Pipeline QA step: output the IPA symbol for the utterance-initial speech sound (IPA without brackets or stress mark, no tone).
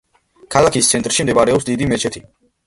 kʰ